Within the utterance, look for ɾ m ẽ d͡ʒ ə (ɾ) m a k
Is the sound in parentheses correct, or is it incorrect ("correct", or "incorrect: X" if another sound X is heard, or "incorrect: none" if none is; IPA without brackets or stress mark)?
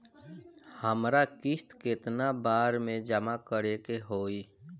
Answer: incorrect: none